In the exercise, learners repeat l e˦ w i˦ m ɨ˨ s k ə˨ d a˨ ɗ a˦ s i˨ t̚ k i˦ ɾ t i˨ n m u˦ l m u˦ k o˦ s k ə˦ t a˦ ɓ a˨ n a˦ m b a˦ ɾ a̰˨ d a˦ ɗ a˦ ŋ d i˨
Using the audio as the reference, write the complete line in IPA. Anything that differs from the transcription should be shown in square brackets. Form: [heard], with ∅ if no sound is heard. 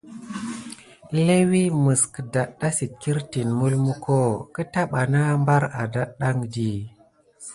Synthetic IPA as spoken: l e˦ w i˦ m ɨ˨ s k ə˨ d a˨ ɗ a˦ s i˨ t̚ k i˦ ɾ t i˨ n m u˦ l m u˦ k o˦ [∅] k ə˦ t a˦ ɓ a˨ n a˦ m b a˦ ɾ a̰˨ d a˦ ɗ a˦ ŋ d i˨